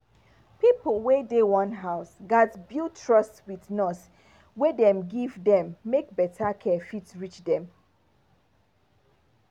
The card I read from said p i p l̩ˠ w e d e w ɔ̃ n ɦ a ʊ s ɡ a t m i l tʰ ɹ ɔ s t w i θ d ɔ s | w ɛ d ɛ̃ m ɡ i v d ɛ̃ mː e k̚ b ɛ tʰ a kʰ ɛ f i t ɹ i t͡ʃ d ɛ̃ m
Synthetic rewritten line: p i p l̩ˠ w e d e w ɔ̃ n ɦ a ʊ s ɡ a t b i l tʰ ɹ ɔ s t w i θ n ɔ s | w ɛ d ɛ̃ m ɡ i v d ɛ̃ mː e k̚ b ɛ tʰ a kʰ ɛ f i t ɹ i t͡ʃ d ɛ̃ m